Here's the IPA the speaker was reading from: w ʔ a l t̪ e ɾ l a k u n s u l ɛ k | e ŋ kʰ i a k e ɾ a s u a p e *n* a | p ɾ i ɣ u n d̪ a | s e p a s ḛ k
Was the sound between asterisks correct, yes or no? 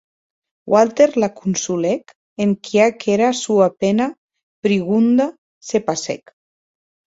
yes